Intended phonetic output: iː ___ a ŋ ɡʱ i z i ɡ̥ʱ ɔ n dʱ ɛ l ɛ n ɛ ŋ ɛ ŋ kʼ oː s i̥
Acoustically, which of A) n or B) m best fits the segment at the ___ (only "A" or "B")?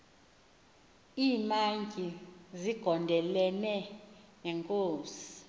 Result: B